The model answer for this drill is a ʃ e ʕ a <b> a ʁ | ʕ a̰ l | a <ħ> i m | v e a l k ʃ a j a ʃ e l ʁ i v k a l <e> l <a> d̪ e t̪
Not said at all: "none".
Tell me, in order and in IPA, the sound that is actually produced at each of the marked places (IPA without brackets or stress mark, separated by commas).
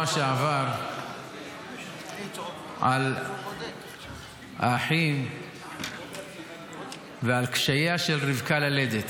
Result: v, ħ, a, e